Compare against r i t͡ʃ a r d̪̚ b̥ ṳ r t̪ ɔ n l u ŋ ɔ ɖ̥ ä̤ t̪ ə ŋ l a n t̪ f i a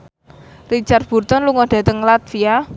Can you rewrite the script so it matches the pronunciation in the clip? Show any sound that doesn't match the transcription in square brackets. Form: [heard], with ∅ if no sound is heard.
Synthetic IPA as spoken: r i t͡ʃ a r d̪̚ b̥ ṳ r t̪ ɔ n l u ŋ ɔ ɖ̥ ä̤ t̪ ə ŋ l a [∅] t̪ f i a